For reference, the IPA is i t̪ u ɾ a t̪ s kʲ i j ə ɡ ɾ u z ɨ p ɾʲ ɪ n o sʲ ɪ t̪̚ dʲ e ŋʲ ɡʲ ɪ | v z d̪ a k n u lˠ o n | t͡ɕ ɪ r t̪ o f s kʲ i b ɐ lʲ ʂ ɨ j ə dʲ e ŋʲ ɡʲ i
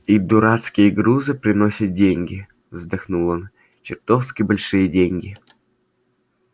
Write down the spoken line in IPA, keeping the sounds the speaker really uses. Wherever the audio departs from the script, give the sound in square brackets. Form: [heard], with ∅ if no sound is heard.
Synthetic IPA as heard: i [d̪] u ɾ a t̪ s kʲ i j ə ɡ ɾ u z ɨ p ɾʲ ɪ n o sʲ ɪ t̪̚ dʲ e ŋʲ ɡʲ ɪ | v z d̪ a [x] n u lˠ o n | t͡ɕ ɪ r t̪ o f s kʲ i b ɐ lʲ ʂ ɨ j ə dʲ e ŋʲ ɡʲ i